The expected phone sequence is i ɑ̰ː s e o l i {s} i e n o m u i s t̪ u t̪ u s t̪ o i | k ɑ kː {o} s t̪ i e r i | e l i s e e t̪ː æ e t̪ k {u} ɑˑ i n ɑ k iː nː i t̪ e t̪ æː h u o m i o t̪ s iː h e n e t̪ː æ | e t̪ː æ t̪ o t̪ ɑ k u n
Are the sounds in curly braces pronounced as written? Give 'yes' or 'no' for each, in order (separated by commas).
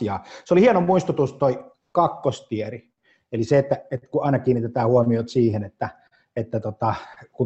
no, yes, yes